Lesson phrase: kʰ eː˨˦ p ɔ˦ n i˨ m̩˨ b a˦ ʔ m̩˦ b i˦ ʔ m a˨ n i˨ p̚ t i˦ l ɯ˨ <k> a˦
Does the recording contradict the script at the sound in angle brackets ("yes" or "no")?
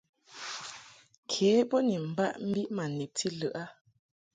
yes